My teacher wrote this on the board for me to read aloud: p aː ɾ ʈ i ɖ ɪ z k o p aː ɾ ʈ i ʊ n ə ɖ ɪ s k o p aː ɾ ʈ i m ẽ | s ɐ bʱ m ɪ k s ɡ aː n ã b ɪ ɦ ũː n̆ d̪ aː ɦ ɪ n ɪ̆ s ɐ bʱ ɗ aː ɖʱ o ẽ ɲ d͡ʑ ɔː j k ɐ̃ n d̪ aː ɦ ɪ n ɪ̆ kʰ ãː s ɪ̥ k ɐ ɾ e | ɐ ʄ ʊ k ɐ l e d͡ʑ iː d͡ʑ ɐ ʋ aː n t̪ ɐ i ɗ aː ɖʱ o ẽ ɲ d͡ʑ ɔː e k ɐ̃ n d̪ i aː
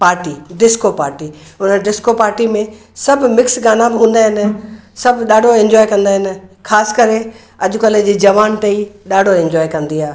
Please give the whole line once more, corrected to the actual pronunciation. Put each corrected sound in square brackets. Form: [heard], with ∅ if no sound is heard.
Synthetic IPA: p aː ɾ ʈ i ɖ ɪ [s] k o p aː ɾ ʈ i ʊ n ə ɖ ɪ s k o p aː ɾ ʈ i m ẽ | s ɐ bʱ m ɪ k s ɡ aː n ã b ɪ ɦ ũː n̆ d̪ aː ɦ ɪ n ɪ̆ s ɐ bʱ ɗ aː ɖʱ o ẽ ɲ d͡ʑ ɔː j k ɐ̃ n d̪ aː ɦ ɪ n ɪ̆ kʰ [aː] s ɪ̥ k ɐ ɾ e | ɐ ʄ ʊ k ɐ l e d͡ʑ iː d͡ʑ ɐ ʋ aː n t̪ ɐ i ɗ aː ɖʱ o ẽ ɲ d͡ʑ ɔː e k ɐ̃ n d̪ i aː